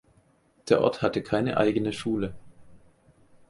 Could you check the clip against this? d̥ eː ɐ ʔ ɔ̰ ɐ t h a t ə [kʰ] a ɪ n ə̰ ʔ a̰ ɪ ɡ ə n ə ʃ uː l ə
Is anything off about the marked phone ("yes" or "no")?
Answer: no